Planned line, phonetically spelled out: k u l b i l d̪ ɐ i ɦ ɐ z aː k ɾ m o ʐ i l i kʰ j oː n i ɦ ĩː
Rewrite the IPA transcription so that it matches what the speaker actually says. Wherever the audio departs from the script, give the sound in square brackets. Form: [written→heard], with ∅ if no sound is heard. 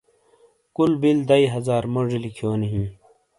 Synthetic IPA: k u l b i l d̪ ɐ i ɦ ɐ z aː [k→∅] ɾ m o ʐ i l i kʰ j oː n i ɦ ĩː